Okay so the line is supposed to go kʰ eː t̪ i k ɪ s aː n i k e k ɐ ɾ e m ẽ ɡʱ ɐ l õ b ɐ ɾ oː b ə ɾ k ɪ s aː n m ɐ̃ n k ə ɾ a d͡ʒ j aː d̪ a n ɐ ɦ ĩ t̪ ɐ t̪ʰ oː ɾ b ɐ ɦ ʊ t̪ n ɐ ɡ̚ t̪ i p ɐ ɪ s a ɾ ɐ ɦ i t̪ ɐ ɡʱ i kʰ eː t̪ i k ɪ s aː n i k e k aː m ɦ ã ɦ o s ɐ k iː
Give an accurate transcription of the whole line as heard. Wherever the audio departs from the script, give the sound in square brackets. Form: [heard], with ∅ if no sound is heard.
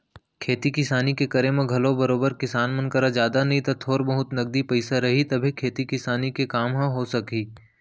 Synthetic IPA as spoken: kʰ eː t̪ i k ɪ s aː n i k e k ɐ ɾ e m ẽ ɡʱ ɐ l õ b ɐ ɾ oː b ə ɾ k ɪ s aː n m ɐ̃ n k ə ɾ a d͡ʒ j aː d̪ a n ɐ ɦ ĩ t̪ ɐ t̪ʰ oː ɾ b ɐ ɦ ʊ t̪ n ɐ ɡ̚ [d̪] i p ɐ ɪ s a ɾ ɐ ɦ i t̪ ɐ [bʱ] i kʰ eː t̪ i k ɪ s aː n i k e k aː m ɦ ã ɦ o s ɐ k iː

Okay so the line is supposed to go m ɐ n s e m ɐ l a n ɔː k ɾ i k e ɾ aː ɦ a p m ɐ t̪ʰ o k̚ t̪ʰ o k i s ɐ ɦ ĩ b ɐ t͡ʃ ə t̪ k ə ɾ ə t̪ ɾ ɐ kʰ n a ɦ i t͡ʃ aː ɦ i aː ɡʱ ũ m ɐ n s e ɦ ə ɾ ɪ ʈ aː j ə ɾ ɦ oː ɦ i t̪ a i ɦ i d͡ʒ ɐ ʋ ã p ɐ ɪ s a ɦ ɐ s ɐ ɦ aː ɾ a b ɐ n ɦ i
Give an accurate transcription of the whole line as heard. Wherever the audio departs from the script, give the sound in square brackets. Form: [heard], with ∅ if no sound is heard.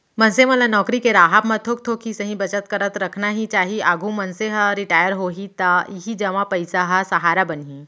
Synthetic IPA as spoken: m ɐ n s e m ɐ l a n ɔː k ɾ i k e ɾ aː ɦ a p m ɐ t̪ʰ o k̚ t̪ʰ o k i s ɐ ɦ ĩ b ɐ t͡ʃ ə t̪ k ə ɾ ə t̪ ɾ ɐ kʰ n a ɦ i t͡ʃ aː ɦ i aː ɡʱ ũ m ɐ n s e ɦ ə ɾ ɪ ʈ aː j ə ɾ ɦ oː ɦ i t̪ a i ɦ i d͡ʒ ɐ ʋ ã p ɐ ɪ s a ɦ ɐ s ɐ ɦ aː ɾ a b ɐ n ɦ i

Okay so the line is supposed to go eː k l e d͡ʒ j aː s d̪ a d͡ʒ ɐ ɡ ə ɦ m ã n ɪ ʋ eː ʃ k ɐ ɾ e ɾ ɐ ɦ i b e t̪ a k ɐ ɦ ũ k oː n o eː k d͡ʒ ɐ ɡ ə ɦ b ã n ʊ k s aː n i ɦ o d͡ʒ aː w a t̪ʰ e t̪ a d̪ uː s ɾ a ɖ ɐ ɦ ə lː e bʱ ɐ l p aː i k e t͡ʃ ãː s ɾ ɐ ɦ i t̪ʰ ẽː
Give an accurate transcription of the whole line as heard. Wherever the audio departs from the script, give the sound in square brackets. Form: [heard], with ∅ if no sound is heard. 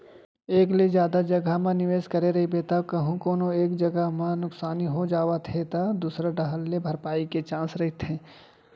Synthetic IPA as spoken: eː k l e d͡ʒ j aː [∅] d̪ a d͡ʒ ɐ ɡ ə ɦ m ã n ɪ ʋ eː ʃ k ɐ ɾ e ɾ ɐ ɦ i b e t̪ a k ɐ ɦ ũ k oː n o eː k d͡ʒ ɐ ɡ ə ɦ [m] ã n ʊ k s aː n i ɦ o d͡ʒ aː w a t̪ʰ e t̪ a d̪ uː s ɾ a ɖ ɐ ɦ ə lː e bʱ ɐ [ɾ] p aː i k e t͡ʃ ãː s ɾ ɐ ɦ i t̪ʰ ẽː

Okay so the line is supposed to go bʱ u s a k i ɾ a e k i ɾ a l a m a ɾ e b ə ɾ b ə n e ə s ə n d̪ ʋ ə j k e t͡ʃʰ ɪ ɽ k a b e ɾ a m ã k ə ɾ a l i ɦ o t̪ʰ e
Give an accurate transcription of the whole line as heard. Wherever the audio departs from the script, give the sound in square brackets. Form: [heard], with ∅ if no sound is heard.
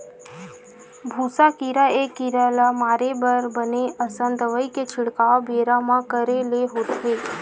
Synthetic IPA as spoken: bʱ u s a k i ɾ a e k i ɾ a l a m a ɾ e b ə ɾ b ə n e ə s ə n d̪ ʋ ə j k e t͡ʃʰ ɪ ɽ k a b e ɾ a m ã k ə ɾ [e] l [e] ɦ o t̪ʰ e

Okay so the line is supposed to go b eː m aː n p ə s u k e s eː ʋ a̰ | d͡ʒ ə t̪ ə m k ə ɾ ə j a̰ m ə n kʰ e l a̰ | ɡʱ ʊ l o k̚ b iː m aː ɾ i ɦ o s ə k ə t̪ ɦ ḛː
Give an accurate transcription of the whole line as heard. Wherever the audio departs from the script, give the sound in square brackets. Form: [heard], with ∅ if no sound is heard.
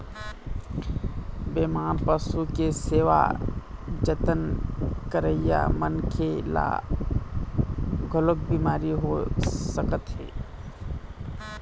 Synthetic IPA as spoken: b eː m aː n p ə s u k e s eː ʋ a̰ | d͡ʒ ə t̪ ə [n] k ə ɾ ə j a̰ m ə n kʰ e l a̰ | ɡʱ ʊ l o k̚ b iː m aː ɾ i ɦ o s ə k ə t̪ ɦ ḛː

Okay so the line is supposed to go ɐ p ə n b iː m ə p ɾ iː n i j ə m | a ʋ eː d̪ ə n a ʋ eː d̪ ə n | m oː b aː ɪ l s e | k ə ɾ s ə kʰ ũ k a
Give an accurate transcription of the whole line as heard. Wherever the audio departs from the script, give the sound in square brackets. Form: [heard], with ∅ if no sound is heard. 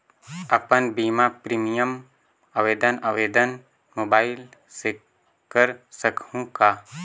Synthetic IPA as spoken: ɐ p ə n b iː m [a] p ɾ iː [m] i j ə m | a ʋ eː d̪ ə n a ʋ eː d̪ ə n | m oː b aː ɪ l s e | k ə ɾ s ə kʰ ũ k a

